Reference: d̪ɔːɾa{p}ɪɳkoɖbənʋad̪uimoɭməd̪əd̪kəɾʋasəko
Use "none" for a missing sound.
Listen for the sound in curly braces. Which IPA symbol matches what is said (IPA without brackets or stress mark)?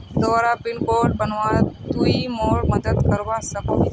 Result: p